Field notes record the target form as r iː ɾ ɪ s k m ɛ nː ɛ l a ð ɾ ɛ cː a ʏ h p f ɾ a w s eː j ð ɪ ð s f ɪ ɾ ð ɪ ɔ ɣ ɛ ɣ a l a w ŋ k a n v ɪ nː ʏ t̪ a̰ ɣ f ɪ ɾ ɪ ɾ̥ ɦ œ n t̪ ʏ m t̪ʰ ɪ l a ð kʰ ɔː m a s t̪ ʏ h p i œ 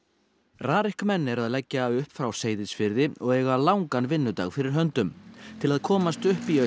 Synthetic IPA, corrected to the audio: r aː ɾ ɪ h k m ɛ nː ɛ ɾ a ð l ɛ cː a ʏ h p f ɾ a w s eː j ð ɪ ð s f ɪ ɾ ð ɪ ɔ ɣ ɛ ɣ a l a w ŋ k a n v ɪ nː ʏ t̪ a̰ ɣ f ɪ ɾ ɪ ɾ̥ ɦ œ n t̪ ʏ m t̪ʰ ɪ l a ð kʰ ɔː m a s t̪ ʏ h p i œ